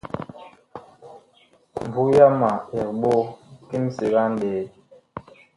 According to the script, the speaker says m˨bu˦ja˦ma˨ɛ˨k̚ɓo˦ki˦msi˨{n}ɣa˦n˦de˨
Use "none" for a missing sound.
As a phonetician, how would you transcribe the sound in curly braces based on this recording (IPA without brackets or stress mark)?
none